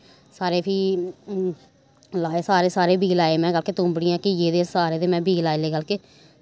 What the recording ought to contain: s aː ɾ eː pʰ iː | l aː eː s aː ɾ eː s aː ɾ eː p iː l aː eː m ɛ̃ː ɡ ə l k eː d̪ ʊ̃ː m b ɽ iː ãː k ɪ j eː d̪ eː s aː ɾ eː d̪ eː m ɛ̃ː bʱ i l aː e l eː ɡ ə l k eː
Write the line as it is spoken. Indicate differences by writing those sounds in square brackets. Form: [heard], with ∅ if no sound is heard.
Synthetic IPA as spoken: s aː ɾ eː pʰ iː | l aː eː s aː ɾ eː s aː ɾ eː [b] iː l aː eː m ɛ̃ː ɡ ə l k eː [t̪] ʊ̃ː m b ɽ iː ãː k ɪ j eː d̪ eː s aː ɾ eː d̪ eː m ɛ̃ː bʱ [iː] l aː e l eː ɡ ə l k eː